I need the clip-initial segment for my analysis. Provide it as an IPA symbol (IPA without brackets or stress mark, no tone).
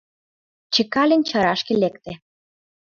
t͡ɕ